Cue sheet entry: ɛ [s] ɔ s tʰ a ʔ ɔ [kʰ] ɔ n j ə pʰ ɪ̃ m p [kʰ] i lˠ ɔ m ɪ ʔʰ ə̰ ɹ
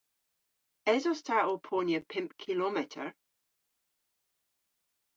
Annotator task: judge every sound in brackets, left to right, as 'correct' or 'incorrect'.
incorrect: z, incorrect: pʰ, correct

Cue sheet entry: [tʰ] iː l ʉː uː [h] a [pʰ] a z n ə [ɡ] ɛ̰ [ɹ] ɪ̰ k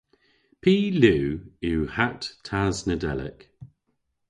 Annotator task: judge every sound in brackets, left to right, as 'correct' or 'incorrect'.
incorrect: pʰ, correct, incorrect: tʰ, incorrect: d, incorrect: l

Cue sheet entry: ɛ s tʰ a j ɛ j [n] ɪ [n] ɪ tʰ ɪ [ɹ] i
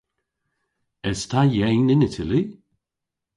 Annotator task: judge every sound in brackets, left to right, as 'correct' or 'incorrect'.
correct, correct, incorrect: l

